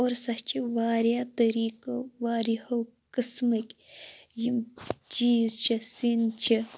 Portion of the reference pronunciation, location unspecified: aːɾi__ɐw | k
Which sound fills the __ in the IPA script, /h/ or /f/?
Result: h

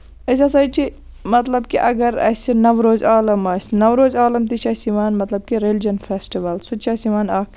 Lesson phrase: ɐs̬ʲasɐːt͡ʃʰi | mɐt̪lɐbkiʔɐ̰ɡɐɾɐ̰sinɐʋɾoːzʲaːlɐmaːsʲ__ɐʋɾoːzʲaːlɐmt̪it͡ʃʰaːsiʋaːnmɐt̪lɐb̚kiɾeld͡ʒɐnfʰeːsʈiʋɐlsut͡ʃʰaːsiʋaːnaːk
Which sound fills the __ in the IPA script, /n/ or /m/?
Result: n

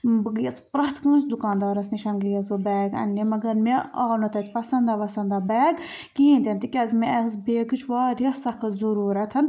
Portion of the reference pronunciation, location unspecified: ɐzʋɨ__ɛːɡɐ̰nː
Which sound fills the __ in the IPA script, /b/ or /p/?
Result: b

